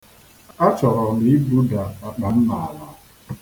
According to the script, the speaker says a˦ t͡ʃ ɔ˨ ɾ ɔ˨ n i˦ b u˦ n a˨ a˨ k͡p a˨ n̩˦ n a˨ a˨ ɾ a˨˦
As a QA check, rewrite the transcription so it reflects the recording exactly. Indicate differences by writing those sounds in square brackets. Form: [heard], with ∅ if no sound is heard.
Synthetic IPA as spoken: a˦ t͡ʃ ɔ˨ ɾ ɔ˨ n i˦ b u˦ [d] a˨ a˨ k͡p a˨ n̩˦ n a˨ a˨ [l] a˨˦